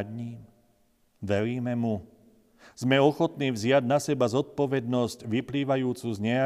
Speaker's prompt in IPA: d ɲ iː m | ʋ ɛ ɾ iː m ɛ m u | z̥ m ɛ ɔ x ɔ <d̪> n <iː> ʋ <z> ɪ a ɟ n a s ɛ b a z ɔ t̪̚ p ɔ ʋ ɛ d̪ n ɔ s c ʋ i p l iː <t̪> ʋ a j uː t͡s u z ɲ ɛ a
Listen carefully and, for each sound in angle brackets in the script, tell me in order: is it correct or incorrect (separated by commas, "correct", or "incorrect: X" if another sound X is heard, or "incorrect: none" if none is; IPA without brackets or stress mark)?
incorrect: t̪, correct, correct, incorrect: none